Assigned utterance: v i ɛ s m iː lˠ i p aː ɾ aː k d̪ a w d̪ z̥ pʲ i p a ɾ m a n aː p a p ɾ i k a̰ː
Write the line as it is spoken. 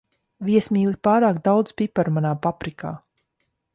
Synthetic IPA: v i ɛ s m iː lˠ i p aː ɾ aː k d̪ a w d̪ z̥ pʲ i p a ɾ m a n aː p a p ɾ i k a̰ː